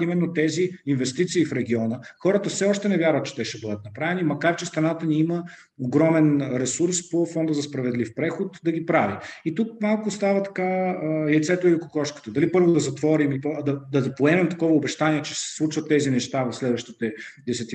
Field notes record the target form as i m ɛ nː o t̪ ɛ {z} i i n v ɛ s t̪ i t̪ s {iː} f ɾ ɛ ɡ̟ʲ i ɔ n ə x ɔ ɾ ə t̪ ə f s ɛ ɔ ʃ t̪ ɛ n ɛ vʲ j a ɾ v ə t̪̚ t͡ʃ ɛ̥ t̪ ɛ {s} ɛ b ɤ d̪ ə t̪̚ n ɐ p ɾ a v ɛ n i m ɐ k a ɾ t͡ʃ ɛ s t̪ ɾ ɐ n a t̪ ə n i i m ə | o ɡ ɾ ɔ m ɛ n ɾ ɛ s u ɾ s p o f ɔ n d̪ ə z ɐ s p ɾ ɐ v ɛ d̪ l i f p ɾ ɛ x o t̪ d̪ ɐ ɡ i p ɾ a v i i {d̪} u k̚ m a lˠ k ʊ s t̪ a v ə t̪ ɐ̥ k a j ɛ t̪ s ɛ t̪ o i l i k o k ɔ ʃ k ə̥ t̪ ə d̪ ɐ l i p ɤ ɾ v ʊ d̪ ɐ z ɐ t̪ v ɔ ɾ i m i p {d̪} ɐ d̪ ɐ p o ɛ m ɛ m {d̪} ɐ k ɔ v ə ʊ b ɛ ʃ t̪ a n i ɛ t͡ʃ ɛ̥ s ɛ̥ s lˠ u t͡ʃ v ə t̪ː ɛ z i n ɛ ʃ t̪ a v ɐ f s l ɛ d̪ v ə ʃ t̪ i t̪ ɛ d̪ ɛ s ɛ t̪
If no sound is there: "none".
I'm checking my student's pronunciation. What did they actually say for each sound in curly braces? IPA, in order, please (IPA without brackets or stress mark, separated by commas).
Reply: z, iː, ʃ, t̪, d̪, t̪